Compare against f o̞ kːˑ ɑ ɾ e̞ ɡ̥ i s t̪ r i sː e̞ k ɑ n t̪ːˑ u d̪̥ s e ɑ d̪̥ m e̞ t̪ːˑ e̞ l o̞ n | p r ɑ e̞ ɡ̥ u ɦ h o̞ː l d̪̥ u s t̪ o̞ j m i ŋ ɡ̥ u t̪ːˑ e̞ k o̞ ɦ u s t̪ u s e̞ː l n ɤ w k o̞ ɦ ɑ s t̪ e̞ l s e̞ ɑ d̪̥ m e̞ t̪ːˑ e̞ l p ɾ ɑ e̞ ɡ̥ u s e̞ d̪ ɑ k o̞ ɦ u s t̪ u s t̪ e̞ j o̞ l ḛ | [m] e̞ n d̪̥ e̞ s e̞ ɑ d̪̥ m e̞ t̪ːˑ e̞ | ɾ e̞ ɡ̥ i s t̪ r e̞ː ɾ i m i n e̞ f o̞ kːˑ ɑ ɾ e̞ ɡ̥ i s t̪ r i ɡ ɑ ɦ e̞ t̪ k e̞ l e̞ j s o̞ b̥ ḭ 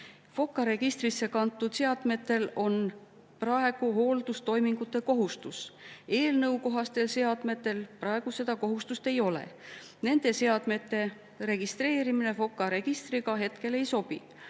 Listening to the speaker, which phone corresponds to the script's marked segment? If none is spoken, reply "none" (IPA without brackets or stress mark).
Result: n